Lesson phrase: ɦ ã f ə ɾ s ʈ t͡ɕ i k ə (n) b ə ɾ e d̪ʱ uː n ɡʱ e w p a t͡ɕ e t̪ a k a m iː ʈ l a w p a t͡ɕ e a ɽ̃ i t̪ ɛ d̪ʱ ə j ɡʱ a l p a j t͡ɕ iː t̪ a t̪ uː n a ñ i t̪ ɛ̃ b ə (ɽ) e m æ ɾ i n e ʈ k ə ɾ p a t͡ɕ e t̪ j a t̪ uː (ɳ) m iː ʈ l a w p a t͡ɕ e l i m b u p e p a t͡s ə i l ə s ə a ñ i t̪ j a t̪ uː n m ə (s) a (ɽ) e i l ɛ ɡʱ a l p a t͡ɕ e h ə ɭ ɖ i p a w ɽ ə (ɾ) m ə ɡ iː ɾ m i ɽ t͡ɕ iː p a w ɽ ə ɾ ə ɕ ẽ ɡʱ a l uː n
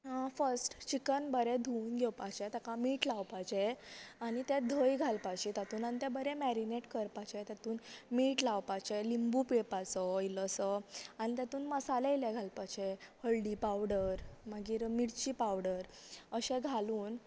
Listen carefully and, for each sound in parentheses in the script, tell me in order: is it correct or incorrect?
correct, incorrect: ɾ, incorrect: n, correct, incorrect: l, correct

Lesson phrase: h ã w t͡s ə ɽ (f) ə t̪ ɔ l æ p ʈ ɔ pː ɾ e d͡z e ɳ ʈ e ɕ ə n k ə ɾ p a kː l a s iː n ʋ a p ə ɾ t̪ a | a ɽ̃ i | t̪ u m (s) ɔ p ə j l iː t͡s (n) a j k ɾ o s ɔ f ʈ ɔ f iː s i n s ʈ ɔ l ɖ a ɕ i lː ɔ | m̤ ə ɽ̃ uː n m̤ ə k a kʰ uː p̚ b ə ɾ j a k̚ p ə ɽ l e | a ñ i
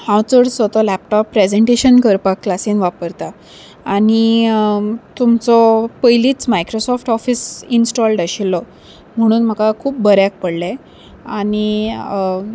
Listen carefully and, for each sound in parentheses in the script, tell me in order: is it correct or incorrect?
incorrect: s, incorrect: t͡s, incorrect: m

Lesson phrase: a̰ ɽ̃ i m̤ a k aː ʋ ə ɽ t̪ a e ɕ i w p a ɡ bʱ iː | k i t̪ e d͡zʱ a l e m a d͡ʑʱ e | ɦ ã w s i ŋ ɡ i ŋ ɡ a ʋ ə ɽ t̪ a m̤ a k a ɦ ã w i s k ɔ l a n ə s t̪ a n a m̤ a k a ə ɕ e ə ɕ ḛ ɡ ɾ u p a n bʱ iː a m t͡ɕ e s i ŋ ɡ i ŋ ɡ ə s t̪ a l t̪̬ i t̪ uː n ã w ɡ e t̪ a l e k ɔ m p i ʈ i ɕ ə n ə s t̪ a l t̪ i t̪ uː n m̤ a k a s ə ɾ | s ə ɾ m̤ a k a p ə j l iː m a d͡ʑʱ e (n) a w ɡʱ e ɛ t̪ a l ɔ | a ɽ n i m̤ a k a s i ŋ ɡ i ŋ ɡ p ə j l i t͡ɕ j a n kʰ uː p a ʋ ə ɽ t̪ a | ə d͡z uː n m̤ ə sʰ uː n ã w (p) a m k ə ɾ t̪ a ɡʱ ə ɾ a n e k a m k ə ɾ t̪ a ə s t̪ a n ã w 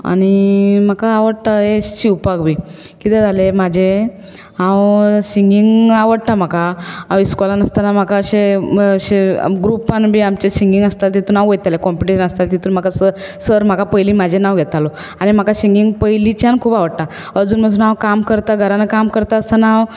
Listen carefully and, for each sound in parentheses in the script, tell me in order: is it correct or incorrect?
correct, incorrect: k

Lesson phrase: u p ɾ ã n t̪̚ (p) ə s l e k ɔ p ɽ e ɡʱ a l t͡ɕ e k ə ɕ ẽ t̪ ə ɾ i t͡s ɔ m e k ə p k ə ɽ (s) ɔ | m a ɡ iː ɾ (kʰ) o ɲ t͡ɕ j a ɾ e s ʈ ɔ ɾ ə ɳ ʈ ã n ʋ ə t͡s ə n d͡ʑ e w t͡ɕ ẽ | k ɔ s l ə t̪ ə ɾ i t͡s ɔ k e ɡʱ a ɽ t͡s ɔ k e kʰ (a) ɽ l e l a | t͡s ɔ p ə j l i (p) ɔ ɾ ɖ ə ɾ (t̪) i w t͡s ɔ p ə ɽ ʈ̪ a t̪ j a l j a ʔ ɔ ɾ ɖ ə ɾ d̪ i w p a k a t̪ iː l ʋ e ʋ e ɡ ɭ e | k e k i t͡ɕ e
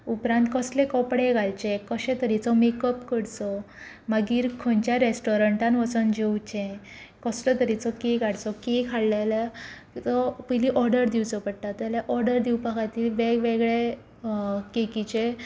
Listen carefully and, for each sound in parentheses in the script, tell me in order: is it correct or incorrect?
incorrect: k, incorrect: t͡s, correct, correct, incorrect: ʔ, incorrect: d̪

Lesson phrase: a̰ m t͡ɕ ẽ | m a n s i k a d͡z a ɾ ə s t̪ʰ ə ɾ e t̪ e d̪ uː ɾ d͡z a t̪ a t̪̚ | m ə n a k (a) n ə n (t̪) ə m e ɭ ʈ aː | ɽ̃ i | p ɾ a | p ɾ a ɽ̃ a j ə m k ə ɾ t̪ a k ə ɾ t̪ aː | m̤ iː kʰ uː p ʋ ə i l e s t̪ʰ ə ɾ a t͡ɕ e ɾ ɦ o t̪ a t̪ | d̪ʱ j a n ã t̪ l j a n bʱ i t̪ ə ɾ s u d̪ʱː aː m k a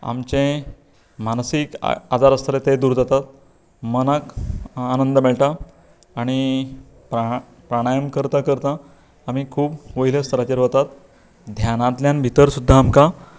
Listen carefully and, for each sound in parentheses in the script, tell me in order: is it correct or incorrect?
correct, incorrect: d̪

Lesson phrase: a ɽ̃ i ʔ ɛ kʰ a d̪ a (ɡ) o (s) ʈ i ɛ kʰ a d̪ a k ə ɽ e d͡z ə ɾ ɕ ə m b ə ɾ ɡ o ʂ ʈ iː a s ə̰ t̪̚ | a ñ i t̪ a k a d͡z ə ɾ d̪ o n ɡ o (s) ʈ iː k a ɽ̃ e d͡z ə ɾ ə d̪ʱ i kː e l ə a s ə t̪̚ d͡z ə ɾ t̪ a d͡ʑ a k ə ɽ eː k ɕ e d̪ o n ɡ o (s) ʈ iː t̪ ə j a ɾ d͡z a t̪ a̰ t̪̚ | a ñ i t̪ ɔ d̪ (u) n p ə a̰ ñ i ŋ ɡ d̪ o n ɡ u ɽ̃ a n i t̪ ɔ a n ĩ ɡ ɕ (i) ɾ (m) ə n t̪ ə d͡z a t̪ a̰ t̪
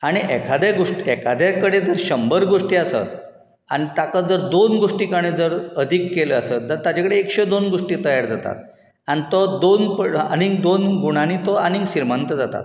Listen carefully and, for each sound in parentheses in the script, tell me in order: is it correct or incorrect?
correct, incorrect: ʂ, incorrect: ʂ, incorrect: ʂ, incorrect: o, correct, correct

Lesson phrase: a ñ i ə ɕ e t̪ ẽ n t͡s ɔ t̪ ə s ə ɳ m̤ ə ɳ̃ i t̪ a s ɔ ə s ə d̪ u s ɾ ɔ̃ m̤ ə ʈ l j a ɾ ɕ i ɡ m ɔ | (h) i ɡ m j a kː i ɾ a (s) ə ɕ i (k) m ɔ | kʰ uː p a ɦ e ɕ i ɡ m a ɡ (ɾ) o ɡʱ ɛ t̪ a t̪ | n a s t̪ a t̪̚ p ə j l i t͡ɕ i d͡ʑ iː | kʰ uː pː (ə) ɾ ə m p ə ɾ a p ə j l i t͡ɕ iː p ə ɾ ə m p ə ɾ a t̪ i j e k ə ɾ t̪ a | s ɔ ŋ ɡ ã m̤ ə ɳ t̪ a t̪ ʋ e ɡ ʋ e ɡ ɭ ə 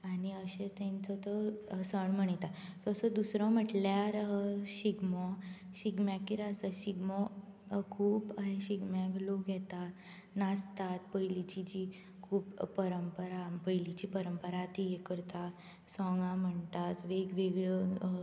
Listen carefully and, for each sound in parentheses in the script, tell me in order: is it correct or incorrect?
incorrect: ɕ, correct, incorrect: ɡ, incorrect: l, correct

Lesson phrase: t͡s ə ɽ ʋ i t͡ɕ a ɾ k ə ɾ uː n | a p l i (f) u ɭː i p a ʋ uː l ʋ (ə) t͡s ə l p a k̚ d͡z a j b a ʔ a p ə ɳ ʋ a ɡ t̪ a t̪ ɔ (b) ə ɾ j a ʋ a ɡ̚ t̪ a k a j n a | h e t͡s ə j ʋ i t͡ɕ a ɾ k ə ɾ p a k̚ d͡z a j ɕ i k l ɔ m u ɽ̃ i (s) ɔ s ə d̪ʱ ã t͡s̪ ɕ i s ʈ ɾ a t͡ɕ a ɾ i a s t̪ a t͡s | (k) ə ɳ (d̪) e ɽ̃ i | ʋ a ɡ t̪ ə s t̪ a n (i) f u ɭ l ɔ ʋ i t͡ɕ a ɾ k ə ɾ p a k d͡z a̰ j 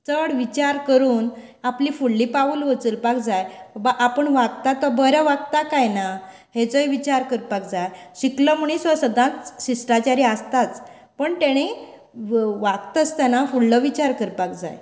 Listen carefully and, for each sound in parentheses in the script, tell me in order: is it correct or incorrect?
correct, correct, correct, correct, incorrect: p, incorrect: t̪, incorrect: a

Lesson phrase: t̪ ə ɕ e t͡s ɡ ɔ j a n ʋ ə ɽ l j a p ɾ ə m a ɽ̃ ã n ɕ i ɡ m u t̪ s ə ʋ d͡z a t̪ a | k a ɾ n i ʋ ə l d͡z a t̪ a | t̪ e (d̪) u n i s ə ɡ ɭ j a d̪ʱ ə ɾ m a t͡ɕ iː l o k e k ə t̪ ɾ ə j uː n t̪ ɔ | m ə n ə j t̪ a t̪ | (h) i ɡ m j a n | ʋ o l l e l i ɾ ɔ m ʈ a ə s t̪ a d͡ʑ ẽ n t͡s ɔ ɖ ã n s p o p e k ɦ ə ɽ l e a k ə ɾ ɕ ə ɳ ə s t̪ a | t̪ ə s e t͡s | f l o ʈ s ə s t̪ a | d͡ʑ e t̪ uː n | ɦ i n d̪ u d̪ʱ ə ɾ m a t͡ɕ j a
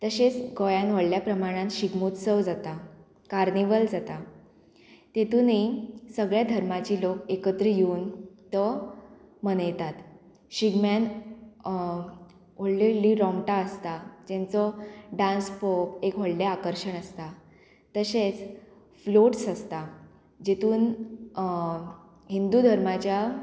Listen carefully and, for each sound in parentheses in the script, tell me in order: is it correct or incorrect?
incorrect: t̪, incorrect: ɕ

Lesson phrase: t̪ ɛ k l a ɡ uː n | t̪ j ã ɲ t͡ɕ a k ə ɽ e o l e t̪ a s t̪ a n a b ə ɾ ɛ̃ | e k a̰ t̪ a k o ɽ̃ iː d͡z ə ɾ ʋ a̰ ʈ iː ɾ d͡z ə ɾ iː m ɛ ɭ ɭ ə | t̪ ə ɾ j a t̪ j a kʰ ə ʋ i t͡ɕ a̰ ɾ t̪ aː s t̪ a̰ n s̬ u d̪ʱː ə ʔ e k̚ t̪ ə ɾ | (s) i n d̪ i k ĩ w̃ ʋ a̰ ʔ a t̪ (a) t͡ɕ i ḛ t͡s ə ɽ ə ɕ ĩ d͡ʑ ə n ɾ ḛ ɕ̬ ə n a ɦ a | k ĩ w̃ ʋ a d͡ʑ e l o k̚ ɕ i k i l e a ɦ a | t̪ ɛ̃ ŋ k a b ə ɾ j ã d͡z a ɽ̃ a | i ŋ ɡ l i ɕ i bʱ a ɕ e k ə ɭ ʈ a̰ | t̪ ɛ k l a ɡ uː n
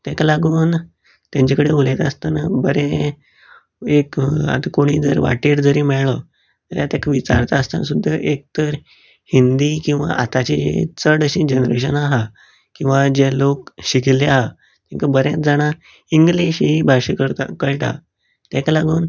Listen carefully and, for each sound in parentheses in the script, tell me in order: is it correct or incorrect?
incorrect: h, correct

